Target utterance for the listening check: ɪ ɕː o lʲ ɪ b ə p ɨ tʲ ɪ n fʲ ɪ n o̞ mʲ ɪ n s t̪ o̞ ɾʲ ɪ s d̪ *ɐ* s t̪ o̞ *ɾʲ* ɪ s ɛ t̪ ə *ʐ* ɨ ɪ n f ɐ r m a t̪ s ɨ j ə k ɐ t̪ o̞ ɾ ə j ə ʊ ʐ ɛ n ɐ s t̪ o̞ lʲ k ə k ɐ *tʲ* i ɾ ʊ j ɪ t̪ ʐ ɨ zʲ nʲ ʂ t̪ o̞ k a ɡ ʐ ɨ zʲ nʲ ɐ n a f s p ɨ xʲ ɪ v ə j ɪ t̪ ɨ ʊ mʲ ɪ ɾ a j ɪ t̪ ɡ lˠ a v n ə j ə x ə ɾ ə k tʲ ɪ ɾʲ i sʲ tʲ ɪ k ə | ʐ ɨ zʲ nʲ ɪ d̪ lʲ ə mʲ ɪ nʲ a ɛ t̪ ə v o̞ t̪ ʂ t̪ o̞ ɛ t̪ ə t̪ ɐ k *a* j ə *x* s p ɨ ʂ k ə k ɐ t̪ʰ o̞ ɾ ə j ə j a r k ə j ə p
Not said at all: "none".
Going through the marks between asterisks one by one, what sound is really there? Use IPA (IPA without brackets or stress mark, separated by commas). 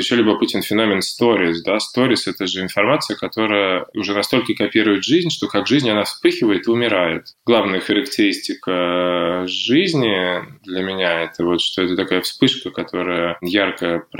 a, ɾʲ, ʐ, pʲ, a, f